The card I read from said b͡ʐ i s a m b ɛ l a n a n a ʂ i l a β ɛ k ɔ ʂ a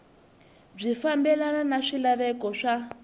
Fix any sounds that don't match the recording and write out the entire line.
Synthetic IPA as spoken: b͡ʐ i f a m b ɛ l a n a n a ʂ i l a β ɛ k ɔ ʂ a